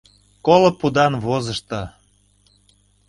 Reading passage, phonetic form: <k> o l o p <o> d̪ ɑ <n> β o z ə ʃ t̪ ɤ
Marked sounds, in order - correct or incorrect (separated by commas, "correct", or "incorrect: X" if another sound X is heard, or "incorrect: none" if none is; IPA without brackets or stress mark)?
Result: correct, incorrect: u, correct